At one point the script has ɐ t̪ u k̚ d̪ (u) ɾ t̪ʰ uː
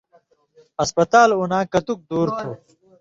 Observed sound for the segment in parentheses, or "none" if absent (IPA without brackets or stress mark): uː